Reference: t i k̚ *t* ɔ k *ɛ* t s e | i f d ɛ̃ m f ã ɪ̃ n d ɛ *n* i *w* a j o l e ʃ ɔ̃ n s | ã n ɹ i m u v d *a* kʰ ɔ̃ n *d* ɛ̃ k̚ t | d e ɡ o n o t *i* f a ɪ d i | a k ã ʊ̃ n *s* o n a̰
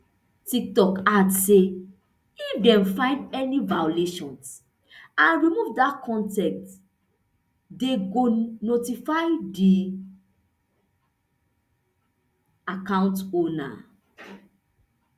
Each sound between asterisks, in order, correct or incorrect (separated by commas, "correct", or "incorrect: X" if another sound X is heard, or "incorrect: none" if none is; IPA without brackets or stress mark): correct, incorrect: a, correct, incorrect: v, correct, incorrect: t, correct, incorrect: t